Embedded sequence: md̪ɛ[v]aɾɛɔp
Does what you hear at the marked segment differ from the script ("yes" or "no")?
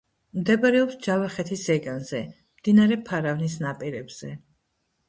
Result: yes